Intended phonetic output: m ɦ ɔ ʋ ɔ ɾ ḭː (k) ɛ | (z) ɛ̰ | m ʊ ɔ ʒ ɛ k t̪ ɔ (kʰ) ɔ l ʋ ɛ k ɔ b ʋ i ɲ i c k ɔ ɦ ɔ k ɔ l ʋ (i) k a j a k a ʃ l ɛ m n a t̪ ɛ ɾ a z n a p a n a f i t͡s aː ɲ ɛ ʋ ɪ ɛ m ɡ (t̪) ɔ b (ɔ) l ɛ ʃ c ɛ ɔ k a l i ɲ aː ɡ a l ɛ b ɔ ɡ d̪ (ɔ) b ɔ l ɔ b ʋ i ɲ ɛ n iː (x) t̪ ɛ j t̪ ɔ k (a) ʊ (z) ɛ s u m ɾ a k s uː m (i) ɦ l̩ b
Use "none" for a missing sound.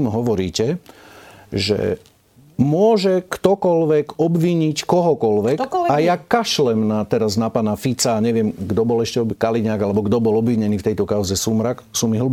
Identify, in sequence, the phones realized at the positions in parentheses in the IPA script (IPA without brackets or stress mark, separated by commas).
c, ʒ, k, ɛ, d̪, ɔ, ɔ, f, a, z, i